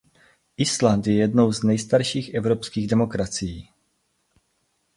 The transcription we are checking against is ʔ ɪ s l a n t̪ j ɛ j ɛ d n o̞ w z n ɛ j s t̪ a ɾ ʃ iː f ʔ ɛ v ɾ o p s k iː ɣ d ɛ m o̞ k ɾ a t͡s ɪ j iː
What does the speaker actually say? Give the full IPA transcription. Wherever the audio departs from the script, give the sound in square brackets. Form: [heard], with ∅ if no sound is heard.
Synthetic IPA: ʔ ɪ s l a n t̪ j ɛ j ɛ d n o̞ w z n ɛ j s t̪ a ɾ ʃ iː [x] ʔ ɛ v ɾ o p s k iː ɣ d ɛ m o̞ k ɾ a t͡s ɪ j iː